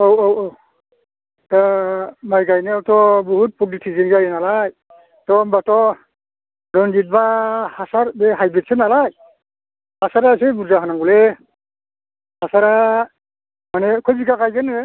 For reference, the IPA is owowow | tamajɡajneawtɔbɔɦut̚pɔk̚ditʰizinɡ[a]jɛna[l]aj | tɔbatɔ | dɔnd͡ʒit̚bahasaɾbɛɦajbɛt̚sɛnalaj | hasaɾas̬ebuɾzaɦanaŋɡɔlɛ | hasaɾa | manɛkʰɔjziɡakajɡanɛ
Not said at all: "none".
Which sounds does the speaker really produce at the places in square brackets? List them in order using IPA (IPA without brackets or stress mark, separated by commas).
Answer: a, l